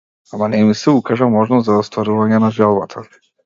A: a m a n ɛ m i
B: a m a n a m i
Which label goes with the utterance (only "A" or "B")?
A